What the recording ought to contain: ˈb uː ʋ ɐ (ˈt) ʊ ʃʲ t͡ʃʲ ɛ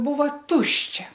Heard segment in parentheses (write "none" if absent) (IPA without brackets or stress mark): t